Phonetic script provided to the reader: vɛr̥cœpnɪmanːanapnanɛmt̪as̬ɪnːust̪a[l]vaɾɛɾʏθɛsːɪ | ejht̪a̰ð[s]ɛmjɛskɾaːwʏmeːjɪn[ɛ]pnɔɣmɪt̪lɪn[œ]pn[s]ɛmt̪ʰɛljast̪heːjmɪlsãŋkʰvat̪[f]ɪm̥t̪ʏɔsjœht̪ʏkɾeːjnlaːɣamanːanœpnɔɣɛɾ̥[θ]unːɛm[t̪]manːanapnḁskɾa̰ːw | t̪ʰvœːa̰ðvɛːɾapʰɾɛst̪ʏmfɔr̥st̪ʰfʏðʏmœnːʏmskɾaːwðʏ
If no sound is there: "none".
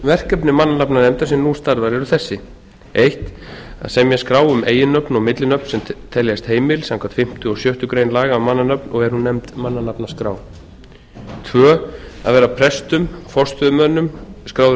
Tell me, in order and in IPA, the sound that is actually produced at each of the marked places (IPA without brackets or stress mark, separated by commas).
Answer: ɾ, s, œ, œ, s, f, h, t̪